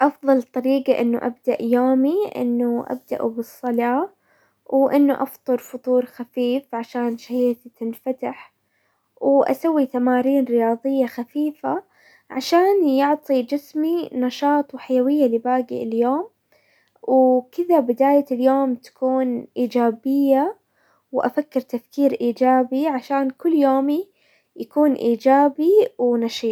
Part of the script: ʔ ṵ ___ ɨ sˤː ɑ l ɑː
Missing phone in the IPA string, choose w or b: b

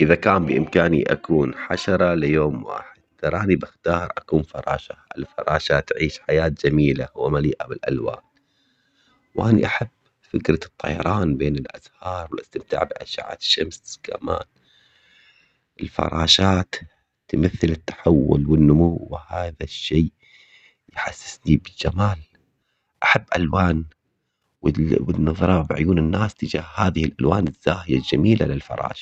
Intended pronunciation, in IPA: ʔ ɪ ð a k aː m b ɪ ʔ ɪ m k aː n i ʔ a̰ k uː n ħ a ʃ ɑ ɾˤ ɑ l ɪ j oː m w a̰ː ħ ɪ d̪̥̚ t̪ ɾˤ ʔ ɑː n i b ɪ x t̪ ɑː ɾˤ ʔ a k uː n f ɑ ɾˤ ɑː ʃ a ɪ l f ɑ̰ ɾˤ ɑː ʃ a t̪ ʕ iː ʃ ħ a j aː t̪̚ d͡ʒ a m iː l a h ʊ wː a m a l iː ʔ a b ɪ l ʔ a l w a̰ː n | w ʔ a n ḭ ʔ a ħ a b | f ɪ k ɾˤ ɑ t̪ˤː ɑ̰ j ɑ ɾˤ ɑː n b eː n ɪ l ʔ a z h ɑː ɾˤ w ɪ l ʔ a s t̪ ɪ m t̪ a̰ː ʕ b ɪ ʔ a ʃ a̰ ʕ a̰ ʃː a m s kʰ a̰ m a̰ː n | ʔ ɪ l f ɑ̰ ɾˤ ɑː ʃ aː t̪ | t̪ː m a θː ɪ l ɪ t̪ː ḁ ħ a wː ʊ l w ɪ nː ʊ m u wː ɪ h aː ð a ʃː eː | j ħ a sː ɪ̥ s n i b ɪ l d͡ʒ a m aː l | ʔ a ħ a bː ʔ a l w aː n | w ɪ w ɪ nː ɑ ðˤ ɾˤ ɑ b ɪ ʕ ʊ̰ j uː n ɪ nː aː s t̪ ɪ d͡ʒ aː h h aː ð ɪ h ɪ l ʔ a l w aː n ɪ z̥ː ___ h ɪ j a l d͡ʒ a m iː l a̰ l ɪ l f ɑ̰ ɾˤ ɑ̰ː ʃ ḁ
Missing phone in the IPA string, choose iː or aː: aː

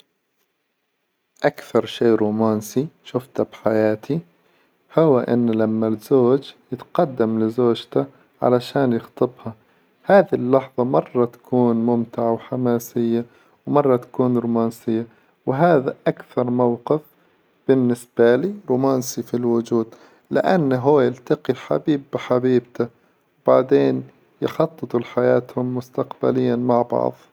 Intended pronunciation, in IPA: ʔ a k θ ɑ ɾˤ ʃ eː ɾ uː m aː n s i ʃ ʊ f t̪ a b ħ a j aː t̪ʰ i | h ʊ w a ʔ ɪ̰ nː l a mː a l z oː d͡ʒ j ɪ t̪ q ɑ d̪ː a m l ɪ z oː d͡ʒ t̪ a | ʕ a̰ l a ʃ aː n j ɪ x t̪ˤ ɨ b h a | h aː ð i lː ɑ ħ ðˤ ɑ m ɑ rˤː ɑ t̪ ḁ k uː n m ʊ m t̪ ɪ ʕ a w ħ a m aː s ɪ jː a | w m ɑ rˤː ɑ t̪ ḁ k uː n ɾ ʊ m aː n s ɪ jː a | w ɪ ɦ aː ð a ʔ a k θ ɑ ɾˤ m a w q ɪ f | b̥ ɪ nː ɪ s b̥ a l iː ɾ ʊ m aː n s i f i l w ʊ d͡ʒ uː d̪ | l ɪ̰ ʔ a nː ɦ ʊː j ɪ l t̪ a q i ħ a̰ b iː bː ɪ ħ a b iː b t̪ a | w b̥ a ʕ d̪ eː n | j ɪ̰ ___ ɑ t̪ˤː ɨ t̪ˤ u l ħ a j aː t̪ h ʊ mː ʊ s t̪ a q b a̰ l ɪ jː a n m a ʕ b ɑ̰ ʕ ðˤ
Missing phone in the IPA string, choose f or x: x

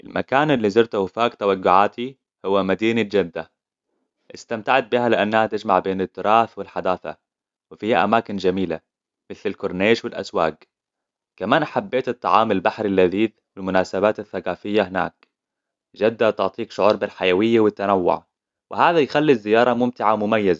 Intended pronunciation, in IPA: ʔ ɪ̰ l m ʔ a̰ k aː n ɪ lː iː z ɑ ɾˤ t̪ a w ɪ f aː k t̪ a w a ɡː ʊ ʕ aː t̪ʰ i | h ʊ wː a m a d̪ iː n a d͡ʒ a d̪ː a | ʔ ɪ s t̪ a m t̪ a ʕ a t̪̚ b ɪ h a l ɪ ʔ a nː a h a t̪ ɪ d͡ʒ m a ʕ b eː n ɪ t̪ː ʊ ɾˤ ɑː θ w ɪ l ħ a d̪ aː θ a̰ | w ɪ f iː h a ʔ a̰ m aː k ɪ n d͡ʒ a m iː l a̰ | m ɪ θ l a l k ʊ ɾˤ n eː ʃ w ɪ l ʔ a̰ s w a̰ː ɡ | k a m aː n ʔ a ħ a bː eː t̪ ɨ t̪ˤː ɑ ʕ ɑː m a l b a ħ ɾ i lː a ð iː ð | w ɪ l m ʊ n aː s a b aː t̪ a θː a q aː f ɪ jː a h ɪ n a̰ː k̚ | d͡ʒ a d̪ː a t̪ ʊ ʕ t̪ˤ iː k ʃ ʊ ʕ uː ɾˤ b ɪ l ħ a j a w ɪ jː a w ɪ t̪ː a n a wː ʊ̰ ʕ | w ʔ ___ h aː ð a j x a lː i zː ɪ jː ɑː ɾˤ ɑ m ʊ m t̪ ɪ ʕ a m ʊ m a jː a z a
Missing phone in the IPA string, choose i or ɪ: ɪ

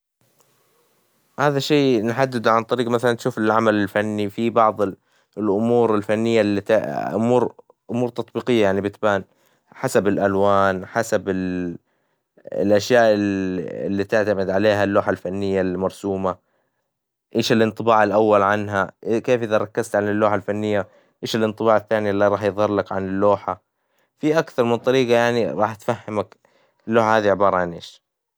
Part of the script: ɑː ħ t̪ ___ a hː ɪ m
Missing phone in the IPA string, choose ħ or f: f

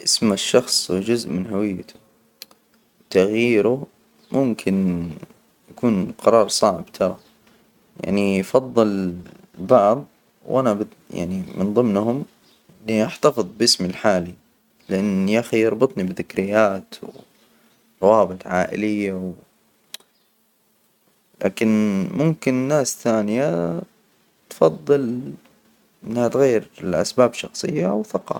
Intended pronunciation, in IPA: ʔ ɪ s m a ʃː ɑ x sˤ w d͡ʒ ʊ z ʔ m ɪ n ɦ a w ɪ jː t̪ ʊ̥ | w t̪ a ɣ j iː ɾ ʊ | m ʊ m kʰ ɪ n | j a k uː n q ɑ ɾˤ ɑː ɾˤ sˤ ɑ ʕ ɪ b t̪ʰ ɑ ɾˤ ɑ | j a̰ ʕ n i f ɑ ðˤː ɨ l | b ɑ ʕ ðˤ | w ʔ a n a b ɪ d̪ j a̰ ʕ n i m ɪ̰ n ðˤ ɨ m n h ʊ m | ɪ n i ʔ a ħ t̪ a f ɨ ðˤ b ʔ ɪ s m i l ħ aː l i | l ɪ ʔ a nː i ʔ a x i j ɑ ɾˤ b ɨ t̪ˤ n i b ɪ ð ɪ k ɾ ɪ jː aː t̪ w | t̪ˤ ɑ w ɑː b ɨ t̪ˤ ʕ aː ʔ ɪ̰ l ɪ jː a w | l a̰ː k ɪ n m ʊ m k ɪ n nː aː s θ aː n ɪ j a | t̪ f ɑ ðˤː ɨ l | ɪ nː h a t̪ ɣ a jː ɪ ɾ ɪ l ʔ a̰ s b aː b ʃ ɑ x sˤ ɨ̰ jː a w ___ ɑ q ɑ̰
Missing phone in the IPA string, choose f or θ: θ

